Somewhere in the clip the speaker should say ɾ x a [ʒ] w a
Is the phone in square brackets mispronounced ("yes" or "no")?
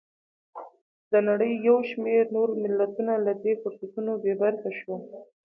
yes